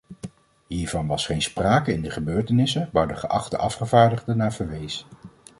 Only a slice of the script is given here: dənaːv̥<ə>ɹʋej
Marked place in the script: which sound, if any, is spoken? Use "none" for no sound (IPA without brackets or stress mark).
ə